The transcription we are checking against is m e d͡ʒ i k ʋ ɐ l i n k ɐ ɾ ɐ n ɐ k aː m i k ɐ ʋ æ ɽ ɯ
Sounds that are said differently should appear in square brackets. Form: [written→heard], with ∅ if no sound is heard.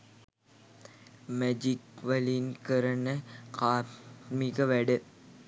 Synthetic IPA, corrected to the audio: m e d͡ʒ i k ʋ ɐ l i n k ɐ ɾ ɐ n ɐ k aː m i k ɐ ʋ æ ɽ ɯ